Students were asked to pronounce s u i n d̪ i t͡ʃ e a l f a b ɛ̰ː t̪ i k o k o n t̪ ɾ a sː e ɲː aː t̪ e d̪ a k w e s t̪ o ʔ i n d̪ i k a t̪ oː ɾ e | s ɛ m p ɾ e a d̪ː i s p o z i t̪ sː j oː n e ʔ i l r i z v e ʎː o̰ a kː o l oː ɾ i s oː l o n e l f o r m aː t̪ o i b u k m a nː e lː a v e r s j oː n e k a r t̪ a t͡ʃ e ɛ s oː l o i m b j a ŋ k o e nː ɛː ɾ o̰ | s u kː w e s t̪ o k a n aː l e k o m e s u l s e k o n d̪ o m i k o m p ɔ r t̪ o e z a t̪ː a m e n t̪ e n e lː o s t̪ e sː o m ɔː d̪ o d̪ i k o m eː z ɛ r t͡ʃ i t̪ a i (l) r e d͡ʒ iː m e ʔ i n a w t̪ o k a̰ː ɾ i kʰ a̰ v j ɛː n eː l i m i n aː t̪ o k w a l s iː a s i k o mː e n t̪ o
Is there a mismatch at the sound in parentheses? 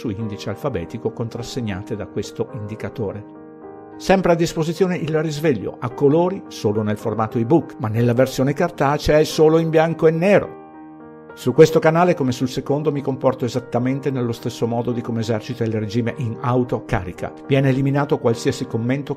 no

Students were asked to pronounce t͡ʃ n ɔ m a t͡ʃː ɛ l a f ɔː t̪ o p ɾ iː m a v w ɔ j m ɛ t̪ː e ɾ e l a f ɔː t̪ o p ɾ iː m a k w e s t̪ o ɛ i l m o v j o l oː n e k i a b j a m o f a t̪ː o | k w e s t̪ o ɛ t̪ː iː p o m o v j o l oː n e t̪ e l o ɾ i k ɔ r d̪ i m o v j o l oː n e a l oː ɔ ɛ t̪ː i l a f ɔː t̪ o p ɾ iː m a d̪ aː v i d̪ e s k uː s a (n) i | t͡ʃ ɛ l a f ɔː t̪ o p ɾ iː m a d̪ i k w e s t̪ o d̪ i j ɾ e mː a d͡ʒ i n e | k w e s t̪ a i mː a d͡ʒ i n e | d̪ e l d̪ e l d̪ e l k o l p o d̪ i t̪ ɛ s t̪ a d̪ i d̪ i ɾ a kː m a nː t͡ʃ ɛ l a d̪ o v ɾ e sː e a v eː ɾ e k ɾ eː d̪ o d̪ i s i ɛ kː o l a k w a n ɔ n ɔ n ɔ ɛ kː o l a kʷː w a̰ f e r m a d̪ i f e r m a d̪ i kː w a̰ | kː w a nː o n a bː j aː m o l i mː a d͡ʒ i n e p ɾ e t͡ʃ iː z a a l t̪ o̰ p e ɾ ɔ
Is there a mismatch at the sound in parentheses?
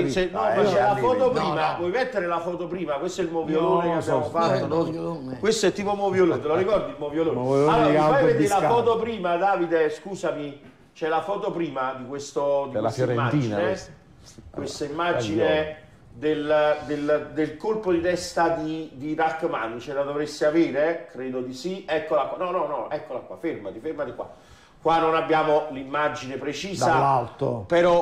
yes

